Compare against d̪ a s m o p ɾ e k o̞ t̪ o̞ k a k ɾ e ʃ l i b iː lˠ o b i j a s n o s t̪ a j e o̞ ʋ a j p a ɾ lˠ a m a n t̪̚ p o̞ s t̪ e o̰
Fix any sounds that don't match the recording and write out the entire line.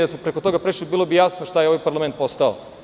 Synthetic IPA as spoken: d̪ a s m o p ɾ e k o̞ t̪ o̞ ɡ a p ɾ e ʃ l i b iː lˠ o b i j a s n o ʃ t̪ a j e o̞ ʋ a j p a ɾ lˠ a m e n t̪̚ p o̞ s t̪ a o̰